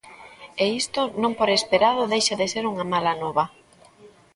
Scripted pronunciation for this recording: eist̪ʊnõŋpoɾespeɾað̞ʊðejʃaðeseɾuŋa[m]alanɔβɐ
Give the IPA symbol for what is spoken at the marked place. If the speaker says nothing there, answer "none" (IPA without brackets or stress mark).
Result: m